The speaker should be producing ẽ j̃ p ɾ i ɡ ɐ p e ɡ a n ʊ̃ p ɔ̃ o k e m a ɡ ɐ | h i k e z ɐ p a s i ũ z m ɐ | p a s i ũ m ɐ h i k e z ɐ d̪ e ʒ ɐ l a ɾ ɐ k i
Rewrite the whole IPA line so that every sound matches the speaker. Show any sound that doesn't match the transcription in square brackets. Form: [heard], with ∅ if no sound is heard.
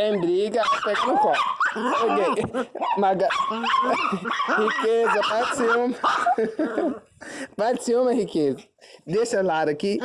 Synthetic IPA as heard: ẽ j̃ [b] ɾ i ɡ ɐ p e ɡ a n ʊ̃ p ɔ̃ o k e m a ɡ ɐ | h i k e z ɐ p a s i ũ [∅] m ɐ | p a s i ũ m ɐ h i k e z ɐ d̪ e [ʃ] ɐ l a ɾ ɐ k i